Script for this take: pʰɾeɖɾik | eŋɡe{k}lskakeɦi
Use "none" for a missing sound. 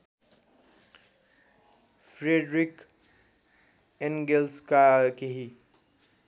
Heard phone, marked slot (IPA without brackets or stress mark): none